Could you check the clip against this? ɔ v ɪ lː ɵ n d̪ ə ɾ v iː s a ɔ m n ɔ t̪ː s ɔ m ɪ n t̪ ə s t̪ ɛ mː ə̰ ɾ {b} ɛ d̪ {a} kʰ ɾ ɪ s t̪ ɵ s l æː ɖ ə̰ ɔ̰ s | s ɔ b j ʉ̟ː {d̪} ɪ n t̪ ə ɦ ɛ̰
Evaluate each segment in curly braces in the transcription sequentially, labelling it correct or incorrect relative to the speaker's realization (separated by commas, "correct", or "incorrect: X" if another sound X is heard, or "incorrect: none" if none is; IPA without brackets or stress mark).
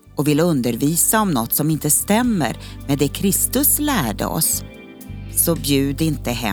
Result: incorrect: m, incorrect: ɛ, correct